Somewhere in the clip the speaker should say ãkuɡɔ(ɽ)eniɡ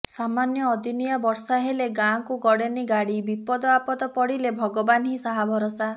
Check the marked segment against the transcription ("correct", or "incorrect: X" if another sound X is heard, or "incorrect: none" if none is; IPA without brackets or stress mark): correct